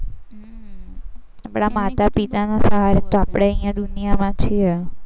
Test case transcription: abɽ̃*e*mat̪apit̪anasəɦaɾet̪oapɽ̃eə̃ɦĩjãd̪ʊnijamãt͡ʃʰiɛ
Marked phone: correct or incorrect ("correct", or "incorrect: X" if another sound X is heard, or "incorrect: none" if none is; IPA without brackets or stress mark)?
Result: incorrect: a